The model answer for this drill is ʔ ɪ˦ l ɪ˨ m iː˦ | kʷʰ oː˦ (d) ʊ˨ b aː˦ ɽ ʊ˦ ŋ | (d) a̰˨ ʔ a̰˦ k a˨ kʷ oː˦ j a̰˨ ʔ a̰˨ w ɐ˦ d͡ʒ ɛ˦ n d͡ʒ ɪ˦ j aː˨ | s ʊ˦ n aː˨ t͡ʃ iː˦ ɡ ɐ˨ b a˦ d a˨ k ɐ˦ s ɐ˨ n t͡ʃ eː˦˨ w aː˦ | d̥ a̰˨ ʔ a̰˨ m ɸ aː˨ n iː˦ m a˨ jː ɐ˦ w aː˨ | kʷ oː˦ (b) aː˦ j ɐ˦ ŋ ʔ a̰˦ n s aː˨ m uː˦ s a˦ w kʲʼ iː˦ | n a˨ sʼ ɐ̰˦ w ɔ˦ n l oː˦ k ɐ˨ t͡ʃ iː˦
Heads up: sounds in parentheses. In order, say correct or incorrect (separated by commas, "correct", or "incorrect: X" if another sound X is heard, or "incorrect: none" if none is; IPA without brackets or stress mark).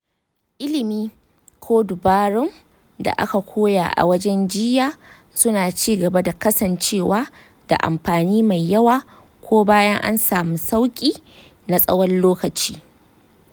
correct, correct, correct